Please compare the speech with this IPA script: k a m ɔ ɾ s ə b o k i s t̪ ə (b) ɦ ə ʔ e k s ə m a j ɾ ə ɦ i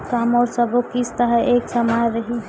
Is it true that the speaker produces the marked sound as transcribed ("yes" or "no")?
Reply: no